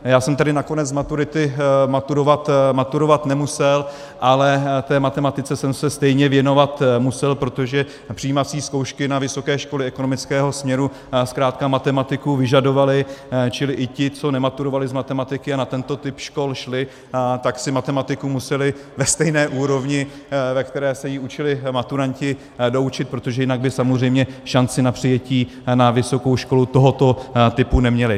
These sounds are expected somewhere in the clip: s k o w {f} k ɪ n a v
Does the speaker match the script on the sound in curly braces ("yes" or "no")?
no